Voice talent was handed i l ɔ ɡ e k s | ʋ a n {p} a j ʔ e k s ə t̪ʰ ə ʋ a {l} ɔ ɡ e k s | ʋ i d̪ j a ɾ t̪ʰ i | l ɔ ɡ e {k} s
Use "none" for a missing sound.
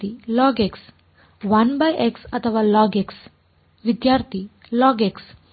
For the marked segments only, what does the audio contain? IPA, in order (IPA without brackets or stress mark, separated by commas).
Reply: b, l, k